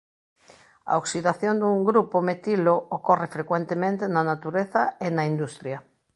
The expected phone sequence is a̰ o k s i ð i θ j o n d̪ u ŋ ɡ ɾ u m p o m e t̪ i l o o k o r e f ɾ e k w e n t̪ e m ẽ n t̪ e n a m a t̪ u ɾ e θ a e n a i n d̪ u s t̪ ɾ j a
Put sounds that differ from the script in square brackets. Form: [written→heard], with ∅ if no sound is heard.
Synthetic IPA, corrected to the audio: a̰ o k s i ð [i→a] θ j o n d̪ u ŋ ɡ ɾ u [m→∅] p o m e t̪ i l o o k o r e f ɾ e k w e n t̪ e m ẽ n t̪ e n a [m→n] a t̪ u ɾ e θ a e n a i n d̪ u s t̪ ɾ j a